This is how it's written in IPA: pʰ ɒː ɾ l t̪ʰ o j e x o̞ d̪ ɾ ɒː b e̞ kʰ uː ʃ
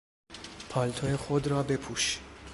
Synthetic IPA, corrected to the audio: pʰ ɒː l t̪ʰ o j e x o̞ d̪ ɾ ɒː b e̞ pʰ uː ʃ